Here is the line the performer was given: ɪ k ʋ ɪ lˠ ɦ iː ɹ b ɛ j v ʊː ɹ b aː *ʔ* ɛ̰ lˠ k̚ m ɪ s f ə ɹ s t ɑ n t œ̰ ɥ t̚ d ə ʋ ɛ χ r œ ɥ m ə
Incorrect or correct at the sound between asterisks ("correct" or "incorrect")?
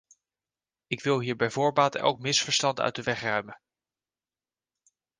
incorrect